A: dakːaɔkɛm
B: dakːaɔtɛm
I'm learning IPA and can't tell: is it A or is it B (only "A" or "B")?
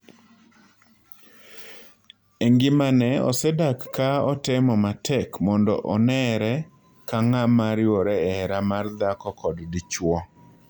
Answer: B